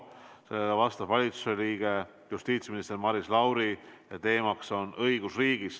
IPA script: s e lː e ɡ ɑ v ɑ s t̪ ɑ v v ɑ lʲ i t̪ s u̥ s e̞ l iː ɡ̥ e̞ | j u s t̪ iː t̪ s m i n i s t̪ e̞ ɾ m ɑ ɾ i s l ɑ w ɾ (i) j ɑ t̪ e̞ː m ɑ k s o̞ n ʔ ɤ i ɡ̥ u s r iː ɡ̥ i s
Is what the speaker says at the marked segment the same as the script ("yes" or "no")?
yes